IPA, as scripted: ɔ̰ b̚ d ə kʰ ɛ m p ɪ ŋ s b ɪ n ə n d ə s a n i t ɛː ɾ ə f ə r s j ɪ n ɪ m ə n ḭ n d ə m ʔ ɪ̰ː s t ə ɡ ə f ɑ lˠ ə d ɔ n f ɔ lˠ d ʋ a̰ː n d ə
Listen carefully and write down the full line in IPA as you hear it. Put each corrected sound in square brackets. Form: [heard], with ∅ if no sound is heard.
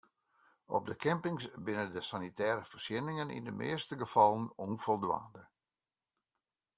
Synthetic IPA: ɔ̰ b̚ d ə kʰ ɛ m p ɪ ŋ s b ɪ n ə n d ə s a n i t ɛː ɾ ə f ə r s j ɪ n ɪ [ŋ] ə n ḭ n d ə m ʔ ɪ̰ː s t ə ɡ ə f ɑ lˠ ə [n] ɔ n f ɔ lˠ d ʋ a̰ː n d ə